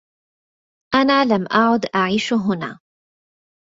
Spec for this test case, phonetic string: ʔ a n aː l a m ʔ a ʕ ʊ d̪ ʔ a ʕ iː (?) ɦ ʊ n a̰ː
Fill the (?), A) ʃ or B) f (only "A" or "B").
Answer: A